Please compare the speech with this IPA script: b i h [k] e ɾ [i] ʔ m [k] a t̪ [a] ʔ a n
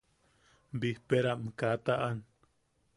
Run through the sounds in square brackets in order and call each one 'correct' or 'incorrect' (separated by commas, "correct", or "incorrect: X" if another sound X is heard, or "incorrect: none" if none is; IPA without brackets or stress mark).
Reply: incorrect: p, incorrect: a, correct, correct